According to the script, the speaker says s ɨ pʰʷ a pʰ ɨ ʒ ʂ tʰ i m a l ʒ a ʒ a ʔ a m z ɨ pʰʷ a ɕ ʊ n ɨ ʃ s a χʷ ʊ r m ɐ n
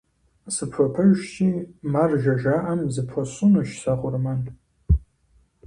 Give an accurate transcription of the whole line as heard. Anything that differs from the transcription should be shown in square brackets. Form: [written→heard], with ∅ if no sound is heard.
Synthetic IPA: s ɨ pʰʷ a pʰ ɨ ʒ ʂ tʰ i m a [l→r] ʒ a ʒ a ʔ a m z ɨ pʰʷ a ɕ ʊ n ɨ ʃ s a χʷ ʊ r m [ɐ→a] n